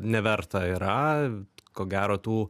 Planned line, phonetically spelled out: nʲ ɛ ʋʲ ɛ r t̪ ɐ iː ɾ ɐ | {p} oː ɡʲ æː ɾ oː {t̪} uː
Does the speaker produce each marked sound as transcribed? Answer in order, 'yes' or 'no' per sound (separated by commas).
no, yes